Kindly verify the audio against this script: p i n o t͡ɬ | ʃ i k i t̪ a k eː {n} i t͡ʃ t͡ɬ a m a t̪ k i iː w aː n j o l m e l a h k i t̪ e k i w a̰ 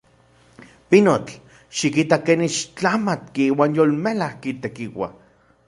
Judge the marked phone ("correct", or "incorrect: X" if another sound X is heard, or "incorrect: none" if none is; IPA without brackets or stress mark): correct